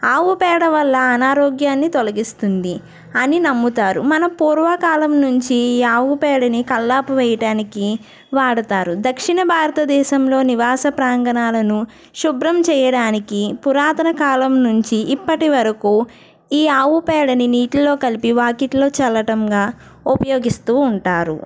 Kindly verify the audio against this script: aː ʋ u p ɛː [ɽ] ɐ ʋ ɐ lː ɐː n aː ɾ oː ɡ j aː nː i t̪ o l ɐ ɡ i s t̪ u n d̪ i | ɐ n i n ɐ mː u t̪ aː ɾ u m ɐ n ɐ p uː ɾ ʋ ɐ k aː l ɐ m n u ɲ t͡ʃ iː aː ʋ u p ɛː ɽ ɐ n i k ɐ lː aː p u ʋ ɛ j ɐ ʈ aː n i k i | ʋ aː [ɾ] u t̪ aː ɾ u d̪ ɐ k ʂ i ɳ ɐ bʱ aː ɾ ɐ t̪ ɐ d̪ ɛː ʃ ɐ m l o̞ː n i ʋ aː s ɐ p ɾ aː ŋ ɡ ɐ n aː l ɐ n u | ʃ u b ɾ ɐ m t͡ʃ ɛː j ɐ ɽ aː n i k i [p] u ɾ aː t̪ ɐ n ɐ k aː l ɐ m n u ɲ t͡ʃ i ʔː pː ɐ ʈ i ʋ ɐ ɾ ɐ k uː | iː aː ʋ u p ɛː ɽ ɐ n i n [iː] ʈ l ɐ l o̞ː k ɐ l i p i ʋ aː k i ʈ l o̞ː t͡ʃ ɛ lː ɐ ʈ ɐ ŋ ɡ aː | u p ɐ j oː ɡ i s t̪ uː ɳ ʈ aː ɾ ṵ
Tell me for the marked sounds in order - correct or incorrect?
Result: correct, incorrect: ɽ, correct, correct

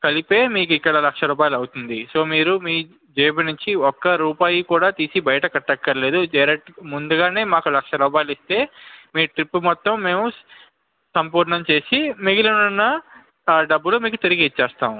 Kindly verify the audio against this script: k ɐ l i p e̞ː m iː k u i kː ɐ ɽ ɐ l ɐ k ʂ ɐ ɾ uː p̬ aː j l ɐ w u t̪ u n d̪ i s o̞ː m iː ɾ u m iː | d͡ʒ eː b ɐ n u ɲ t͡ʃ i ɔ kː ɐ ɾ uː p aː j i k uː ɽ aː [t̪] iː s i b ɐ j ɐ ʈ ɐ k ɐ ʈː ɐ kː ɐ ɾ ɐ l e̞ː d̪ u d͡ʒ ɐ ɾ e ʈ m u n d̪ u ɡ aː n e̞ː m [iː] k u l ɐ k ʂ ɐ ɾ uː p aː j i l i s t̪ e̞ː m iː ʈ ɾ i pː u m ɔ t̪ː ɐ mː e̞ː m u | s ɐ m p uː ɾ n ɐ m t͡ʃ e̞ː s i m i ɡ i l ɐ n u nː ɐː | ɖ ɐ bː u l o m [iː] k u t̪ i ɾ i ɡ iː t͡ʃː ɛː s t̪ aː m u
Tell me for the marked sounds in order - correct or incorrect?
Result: correct, incorrect: aː, correct

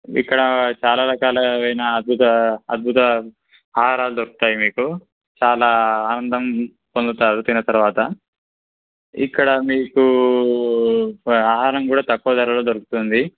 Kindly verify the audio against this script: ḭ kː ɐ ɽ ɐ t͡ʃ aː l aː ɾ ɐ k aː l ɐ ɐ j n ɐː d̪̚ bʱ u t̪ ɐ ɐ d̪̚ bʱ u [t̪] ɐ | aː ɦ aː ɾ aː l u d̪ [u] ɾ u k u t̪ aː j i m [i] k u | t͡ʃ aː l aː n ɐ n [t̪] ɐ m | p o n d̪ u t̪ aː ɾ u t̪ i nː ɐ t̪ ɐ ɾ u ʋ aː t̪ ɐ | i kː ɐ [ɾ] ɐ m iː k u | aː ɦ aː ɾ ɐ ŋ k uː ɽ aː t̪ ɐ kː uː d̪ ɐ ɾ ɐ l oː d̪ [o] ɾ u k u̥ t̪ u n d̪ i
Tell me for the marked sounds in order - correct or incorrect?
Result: correct, incorrect: o, incorrect: iː, incorrect: d̪, incorrect: ɽ, correct

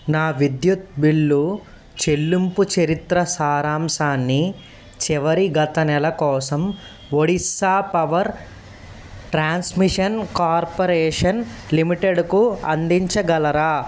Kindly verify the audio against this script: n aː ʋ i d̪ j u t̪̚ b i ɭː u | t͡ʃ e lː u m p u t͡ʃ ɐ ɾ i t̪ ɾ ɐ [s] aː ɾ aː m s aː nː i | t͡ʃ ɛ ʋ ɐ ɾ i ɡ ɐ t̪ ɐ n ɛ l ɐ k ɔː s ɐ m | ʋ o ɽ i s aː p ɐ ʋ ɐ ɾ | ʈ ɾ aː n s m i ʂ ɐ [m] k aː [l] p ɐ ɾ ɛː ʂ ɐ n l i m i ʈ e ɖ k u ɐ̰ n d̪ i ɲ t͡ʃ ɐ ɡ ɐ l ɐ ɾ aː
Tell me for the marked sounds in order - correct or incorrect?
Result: correct, incorrect: n, incorrect: ɾ

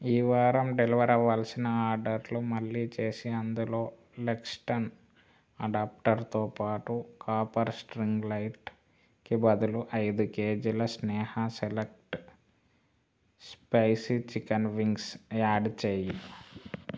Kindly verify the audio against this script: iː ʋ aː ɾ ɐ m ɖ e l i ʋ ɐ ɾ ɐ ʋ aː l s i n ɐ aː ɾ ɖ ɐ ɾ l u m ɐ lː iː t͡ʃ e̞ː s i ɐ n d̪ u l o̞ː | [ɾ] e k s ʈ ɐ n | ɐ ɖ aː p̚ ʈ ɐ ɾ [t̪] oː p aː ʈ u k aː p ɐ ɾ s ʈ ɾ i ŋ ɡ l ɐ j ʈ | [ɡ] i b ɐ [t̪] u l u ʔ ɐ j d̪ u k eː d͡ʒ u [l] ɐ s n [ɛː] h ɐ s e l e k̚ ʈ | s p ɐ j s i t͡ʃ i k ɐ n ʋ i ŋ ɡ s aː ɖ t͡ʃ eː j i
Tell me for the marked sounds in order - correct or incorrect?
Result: incorrect: l, correct, incorrect: k, incorrect: d̪, correct, correct

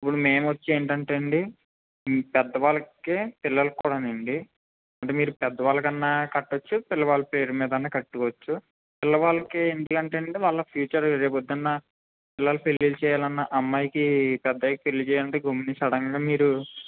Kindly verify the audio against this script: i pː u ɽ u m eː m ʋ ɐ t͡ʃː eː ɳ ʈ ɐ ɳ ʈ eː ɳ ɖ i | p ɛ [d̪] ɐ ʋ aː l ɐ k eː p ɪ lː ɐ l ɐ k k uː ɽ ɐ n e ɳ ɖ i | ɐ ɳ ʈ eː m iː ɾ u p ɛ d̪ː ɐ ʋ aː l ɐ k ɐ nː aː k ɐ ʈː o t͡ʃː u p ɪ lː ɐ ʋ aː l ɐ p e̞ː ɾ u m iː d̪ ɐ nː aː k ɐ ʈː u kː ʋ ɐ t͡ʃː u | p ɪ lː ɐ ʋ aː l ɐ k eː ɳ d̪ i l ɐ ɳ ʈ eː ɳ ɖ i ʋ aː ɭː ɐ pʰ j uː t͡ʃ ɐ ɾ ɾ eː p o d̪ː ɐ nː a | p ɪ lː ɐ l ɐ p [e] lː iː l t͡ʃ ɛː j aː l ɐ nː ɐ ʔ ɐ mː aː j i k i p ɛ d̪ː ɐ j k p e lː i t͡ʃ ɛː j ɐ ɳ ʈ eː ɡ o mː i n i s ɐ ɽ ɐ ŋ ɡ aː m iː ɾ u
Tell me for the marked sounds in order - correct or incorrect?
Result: incorrect: d̪ː, correct

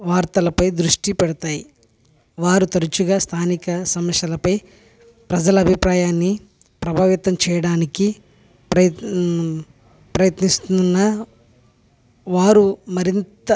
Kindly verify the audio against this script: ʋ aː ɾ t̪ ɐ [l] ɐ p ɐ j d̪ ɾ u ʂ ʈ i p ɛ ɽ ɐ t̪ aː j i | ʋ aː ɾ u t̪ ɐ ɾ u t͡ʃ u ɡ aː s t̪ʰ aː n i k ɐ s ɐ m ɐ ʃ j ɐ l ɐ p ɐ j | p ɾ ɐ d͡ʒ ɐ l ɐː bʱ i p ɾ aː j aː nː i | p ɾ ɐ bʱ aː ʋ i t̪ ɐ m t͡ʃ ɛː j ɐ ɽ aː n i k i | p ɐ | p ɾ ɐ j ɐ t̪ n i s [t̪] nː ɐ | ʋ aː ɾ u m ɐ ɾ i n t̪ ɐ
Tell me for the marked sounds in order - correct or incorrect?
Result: correct, correct

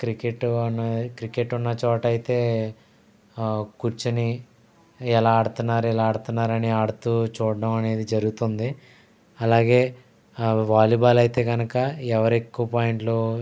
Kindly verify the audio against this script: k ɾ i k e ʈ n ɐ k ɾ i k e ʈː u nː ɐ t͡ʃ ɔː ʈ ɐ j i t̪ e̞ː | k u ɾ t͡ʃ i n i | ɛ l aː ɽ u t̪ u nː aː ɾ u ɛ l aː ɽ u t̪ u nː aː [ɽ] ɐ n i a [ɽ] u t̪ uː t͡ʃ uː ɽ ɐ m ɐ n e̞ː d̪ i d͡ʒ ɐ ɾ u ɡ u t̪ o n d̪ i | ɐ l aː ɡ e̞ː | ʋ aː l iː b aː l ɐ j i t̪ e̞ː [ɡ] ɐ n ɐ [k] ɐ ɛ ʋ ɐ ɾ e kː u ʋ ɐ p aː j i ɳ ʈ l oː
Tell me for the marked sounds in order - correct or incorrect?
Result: incorrect: ɾ, correct, correct, correct

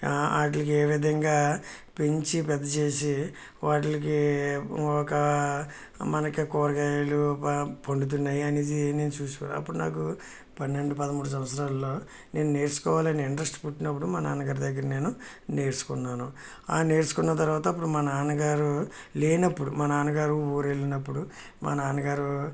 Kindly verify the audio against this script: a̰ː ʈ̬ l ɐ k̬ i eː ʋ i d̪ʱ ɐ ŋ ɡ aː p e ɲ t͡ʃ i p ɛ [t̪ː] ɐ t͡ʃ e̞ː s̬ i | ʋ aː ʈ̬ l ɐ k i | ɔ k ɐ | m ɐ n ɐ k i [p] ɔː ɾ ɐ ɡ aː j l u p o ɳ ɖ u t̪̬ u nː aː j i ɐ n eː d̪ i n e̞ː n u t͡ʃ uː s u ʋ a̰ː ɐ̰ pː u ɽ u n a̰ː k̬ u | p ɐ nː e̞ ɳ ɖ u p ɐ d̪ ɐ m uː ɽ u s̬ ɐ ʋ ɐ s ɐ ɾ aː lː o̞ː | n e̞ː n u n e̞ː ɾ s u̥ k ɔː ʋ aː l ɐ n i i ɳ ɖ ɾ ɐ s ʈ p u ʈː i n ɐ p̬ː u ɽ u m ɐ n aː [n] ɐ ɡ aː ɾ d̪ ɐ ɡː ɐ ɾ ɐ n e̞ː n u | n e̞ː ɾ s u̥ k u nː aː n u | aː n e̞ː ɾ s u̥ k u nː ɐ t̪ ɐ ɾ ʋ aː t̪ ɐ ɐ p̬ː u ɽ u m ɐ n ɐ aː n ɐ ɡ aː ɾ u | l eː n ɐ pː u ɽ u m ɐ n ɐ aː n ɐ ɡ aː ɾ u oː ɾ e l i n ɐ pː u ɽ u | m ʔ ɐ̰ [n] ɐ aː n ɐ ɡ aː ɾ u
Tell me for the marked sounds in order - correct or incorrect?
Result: incorrect: d̪ː, incorrect: k, correct, correct

